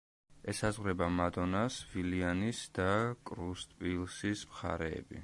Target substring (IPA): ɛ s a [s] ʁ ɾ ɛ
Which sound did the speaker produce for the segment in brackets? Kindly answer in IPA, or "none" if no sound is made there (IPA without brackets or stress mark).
z